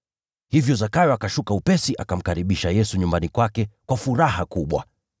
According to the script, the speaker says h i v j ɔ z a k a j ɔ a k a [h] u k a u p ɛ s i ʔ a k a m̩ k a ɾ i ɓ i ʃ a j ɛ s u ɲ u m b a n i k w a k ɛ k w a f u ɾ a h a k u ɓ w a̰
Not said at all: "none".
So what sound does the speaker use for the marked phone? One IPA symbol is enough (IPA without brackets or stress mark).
ʃ